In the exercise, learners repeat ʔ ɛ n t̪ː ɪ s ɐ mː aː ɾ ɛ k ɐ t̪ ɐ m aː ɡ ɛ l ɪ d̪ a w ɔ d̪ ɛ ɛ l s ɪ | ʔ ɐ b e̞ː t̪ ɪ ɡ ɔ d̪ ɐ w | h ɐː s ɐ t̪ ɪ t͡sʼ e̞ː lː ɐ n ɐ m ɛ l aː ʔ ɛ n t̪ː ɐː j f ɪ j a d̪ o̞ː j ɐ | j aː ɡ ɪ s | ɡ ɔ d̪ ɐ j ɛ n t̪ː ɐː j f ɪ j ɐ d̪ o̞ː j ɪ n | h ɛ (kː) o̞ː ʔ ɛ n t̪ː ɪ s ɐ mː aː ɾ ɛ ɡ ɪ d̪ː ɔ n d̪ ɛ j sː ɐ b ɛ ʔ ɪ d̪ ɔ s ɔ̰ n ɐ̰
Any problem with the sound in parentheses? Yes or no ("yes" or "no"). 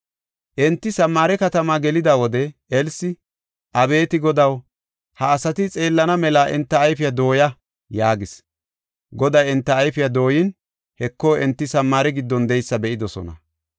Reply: no